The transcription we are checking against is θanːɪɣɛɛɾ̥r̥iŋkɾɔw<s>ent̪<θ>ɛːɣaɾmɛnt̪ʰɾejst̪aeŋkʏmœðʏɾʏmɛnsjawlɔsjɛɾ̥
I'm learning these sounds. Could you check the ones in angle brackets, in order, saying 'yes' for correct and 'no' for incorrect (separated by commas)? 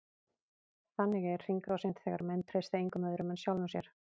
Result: yes, yes